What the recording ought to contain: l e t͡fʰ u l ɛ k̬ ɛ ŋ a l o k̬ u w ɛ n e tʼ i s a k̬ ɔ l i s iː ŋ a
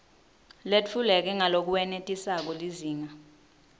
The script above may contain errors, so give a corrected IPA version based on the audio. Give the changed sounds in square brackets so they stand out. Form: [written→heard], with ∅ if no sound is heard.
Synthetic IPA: l e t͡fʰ u l ɛ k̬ ɛ ŋ a l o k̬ u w ɛ n e tʼ i s a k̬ ɔ l i [s→z] iː ŋ a